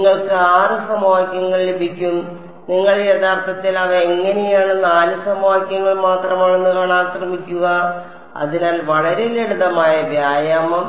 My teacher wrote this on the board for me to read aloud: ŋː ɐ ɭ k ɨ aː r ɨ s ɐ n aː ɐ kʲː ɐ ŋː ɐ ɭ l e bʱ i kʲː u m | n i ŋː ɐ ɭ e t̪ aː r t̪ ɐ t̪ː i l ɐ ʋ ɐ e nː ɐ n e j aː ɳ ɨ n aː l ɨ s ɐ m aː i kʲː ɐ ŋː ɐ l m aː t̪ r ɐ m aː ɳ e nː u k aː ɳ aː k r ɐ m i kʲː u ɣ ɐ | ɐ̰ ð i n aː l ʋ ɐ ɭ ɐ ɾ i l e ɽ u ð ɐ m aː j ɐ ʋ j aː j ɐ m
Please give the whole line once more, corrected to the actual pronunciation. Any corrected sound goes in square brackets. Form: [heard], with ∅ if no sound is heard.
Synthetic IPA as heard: ŋː ɐ ɭ k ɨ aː r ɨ s ɐ [m] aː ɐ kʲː ɐ ŋː ɐ ɭ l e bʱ i kʲː u m | n i ŋː ɐ ɭ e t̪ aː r t̪ ɐ t̪ː i l ɐ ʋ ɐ e [ŋː] ɐ n e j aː ɳ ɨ n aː l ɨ s ɐ m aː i kʲː ɐ ŋː ɐ [ɭ] m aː t̪ r ɐ m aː ɳ e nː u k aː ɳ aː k r ɐ m i kʲː u ɣ ɐ | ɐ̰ ð i n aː l ʋ ɐ ɭ ɐ ɾ [e] l e ɽ u ð ɐ m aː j ɐ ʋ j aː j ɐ m

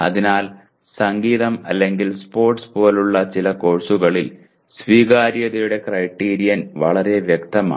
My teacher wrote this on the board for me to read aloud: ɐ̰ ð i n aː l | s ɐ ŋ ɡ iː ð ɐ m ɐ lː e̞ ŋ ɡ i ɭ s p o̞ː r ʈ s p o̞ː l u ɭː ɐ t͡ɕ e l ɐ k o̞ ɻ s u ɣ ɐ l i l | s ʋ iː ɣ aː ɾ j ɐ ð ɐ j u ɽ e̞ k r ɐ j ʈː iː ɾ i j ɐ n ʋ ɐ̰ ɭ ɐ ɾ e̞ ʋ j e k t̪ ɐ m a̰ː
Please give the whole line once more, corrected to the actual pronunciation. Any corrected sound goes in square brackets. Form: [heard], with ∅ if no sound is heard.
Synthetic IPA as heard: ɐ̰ ð i n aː l | s ɐ ŋ ɡ iː ð ɐ m ɐ lː e̞ ŋ ɡ i [l] s p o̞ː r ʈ s p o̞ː l u ɭː ɐ t͡ɕ [i] l ɐ k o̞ ɻ s u ɣ ɐ [ɭ] i l | s ʋ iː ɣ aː ɾ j ɐ ð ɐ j u ɽ e̞ k r ɐ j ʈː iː ɾ i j ɐ n ʋ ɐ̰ ɭ ɐ ɾ e̞ ʋ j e k t̪ ɐ m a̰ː

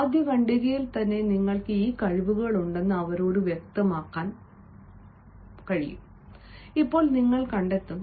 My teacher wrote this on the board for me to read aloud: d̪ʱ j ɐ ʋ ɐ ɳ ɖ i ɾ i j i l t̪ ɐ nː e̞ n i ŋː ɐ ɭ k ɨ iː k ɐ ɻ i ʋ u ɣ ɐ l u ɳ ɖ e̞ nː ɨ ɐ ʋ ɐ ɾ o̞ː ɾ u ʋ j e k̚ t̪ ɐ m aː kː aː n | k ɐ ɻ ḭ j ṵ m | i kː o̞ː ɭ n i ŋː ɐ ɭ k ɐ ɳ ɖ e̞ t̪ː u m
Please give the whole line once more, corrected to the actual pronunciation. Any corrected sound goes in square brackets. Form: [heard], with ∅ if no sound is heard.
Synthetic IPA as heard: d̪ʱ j ɐ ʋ ɐ ɳ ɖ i ɾ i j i l t̪ ɐ nː e̞ n i ŋː ɐ ɭ k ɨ iː k ɐ ɻ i ʋ u ɣ ɐ [ɭ] u ɳ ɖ e̞ nː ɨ ɐ ʋ ɐ ɾ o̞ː ɾ u ʋ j e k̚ t̪ ɐ m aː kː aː n | k ɐ ɻ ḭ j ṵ m | i [pː] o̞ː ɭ n i ŋː ɐ ɭ k ɐ ɳ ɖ e̞ t̪ː u m

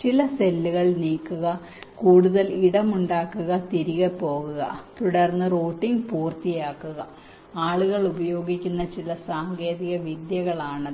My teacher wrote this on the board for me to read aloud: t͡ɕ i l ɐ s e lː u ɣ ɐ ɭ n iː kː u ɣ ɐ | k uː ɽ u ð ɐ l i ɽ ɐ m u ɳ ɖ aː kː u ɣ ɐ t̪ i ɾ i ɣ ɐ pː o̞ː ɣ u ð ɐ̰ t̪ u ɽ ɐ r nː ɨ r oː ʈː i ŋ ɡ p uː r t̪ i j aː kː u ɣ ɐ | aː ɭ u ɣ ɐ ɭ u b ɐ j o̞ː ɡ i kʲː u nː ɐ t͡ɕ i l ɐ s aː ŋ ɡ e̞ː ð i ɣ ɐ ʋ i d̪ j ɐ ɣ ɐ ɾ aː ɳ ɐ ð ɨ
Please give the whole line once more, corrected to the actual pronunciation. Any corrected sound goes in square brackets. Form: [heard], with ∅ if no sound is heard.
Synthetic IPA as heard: t͡ɕ i l ɐ s e lː u ɣ ɐ ɭ n iː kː u ɣ ɐ | k uː ɽ u ð ɐ l i ɽ ɐ m u ɳ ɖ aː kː u ɣ ɐ t̪ i ɾ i ɣ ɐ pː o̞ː ɣ u [ɣ] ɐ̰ t̪ u ɽ ɐ r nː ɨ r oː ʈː i ŋ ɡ p uː r t̪ i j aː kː u ɣ ɐ | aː ɭ u ɣ ɐ ɭ u b ɐ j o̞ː ɡ i kʲː u nː ɐ t͡ɕ i l ɐ s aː ŋ ɡ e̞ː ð i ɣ ɐ ʋ i d̪ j ɐ ɣ ɐ [ɭ] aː ɳ ɐ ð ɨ

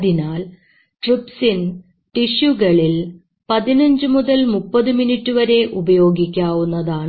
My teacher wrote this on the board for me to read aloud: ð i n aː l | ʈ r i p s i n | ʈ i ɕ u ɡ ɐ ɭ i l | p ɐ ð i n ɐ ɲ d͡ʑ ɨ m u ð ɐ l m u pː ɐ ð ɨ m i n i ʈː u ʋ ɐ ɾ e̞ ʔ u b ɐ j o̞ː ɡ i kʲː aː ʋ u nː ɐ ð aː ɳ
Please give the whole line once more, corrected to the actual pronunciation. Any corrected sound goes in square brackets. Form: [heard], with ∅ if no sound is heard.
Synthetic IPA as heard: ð i n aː l | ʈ r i p s i n | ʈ i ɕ u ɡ ɐ ɭ i l | p ɐ ð i n ɐ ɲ d͡ʑ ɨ m u ð ɐ l m u pː ɐ ð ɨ m i n i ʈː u ʋ ɐ ɾ e̞ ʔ u b ɐ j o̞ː ɡ i kʲː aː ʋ u nː ɐ ð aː ɳ

